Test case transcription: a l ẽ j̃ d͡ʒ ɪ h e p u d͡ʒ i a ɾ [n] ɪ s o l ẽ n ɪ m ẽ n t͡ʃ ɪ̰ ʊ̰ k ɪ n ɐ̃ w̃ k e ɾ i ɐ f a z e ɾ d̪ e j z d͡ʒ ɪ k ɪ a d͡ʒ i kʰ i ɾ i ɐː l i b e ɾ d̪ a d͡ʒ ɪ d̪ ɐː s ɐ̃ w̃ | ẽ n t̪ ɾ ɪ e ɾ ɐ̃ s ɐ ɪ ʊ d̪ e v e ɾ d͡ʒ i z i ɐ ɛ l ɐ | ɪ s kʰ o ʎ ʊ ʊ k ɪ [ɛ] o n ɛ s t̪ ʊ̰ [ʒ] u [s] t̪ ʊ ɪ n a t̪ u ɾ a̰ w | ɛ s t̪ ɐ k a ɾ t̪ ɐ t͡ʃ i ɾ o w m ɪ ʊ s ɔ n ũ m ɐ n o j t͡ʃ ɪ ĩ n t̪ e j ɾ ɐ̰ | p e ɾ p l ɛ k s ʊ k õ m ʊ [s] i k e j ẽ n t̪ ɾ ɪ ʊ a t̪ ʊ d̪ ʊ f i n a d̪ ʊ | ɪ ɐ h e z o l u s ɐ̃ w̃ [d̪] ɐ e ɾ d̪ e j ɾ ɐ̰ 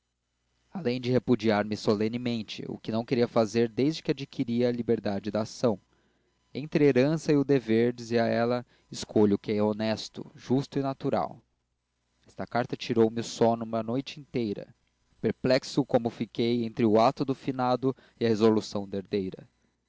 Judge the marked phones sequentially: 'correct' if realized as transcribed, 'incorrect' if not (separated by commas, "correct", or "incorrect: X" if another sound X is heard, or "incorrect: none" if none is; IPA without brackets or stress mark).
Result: incorrect: m, correct, correct, correct, incorrect: f, correct